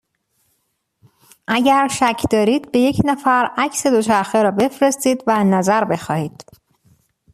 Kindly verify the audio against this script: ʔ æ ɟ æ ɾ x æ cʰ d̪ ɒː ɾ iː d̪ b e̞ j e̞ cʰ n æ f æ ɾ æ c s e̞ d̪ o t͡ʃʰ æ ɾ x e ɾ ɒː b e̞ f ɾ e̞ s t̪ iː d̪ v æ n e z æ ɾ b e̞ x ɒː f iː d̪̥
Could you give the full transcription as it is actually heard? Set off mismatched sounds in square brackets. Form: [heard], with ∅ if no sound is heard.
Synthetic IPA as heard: ʔ æ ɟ æ ɾ [ʃ] æ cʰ d̪ ɒː ɾ iː d̪ b e̞ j e̞ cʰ n æ f æ ɾ æ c s e̞ d̪ o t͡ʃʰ æ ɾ x e ɾ ɒː b e̞ f ɾ e̞ s t̪ iː d̪ v æ n [æ] z æ ɾ b e̞ x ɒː [h] iː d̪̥